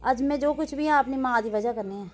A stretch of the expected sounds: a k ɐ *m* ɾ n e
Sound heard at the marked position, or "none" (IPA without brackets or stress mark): none